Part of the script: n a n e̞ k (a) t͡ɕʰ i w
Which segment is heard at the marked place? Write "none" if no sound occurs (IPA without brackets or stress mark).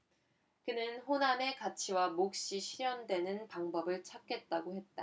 a